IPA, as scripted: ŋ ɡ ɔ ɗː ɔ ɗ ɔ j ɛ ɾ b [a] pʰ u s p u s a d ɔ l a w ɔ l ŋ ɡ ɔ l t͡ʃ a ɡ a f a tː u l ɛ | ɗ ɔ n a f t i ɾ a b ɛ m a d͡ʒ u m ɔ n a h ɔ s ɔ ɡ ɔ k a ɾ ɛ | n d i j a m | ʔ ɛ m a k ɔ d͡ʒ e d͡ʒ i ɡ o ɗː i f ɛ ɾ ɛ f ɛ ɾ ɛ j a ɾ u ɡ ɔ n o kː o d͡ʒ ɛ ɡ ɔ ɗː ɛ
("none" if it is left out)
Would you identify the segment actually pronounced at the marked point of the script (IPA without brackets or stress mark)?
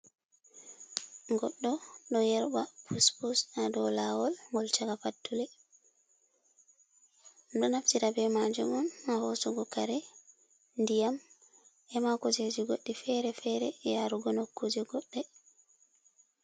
a